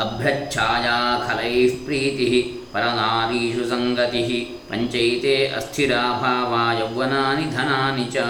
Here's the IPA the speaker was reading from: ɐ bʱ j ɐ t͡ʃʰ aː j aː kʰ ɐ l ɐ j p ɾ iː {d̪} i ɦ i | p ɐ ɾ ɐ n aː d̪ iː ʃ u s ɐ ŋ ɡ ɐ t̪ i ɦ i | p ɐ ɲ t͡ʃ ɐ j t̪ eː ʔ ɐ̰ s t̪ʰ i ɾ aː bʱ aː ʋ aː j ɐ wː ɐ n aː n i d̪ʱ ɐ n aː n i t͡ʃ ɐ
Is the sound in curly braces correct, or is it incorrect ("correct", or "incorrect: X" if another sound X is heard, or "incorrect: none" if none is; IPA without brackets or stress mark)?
incorrect: t̪